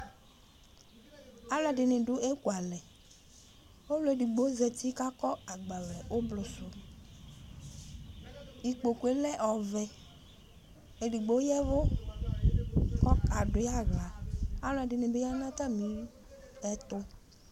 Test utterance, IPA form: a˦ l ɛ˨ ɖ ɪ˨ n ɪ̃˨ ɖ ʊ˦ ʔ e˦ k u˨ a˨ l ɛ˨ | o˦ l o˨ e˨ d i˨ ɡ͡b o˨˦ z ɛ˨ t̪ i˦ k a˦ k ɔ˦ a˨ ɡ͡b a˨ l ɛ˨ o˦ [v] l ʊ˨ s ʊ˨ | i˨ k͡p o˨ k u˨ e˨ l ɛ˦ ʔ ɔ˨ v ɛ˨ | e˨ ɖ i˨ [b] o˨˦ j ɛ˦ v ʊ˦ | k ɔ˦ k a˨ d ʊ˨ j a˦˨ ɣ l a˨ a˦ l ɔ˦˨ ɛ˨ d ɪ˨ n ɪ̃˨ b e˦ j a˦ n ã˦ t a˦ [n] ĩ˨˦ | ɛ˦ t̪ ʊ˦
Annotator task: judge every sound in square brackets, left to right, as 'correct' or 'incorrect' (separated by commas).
incorrect, incorrect, incorrect